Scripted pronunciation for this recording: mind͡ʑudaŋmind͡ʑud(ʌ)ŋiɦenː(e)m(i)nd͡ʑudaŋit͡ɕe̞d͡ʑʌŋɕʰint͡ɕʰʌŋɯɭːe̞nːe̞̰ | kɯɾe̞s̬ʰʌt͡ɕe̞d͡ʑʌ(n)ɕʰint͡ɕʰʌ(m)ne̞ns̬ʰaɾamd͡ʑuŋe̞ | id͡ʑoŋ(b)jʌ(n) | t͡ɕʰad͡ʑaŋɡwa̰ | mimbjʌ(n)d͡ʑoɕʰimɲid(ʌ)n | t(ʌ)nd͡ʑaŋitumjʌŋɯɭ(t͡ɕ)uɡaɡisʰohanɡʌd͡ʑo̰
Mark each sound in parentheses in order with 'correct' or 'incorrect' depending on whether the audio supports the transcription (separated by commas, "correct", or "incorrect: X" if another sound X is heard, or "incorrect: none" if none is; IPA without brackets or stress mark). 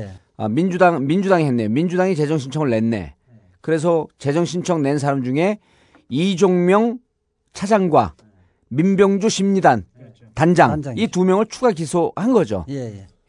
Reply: incorrect: a, correct, correct, incorrect: ŋ, incorrect: ŋ, incorrect: m, incorrect: ŋ, incorrect: ŋ, incorrect: a, incorrect: a, incorrect: t͡ɕʰ